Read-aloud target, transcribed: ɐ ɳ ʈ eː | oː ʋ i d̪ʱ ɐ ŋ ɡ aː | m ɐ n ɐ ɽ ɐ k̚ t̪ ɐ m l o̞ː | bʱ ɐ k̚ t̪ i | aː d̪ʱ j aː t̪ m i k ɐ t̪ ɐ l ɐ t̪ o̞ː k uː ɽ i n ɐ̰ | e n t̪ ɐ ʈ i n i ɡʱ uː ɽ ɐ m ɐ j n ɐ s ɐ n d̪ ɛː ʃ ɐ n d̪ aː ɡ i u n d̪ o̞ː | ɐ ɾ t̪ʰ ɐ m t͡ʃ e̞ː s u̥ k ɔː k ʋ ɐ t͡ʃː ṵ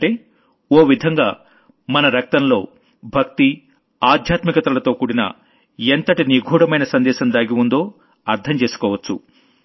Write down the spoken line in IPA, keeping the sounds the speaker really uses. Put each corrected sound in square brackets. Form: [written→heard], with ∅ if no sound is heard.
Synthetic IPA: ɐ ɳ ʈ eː | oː ʋ i d̪ʱ ɐ ŋ ɡ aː | m ɐ n ɐ [ɽ→ɾ] ɐ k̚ t̪ ɐ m l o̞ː | bʱ ɐ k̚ t̪ i | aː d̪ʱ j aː t̪ m i k ɐ t̪ ɐ l ɐ t̪ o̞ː k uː ɽ i n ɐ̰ | e n t̪ ɐ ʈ i n i ɡʱ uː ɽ ɐ m ɐ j n ɐ s ɐ n d̪ ɛː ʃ ɐ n d̪ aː ɡ i u n d̪ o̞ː | ɐ ɾ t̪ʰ ɐ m t͡ʃ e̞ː s u̥ k ɔː [k→∅] ʋ ɐ t͡ʃː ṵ